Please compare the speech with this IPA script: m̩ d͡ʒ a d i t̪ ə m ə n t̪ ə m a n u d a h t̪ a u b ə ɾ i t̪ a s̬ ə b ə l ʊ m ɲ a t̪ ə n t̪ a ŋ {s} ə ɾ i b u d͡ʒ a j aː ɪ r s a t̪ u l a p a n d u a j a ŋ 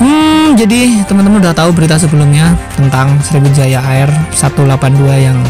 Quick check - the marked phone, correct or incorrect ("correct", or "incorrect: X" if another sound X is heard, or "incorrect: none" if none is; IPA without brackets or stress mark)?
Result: correct